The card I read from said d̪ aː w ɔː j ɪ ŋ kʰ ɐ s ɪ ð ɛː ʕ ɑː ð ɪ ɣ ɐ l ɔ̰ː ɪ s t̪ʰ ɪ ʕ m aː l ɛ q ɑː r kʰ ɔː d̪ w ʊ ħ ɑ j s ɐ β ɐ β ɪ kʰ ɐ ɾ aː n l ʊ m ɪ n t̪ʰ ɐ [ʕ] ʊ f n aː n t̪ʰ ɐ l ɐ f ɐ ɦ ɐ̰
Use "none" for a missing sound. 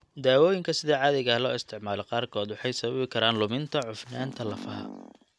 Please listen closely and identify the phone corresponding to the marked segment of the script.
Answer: ʕ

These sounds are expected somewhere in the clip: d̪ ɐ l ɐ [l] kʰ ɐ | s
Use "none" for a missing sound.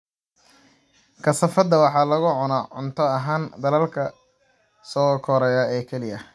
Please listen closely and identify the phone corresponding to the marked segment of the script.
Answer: l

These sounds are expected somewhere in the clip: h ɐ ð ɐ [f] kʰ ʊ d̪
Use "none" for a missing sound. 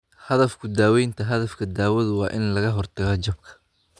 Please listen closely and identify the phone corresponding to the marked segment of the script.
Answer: f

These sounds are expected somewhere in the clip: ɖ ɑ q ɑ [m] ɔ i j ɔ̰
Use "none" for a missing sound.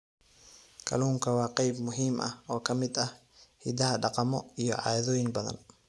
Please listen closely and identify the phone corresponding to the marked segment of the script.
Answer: m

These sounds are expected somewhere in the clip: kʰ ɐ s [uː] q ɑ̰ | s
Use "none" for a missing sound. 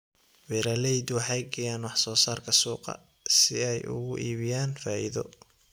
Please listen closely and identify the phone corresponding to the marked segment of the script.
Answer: uː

